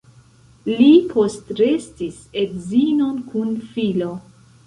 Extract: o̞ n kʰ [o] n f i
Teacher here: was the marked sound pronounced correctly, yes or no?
no